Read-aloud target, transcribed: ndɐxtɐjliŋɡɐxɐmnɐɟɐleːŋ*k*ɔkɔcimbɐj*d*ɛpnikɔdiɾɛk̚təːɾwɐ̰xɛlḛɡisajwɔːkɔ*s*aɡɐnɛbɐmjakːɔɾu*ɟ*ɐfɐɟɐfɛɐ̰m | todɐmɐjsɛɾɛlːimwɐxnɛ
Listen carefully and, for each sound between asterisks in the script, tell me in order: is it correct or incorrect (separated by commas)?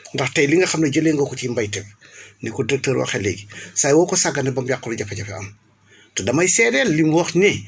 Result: incorrect, incorrect, correct, correct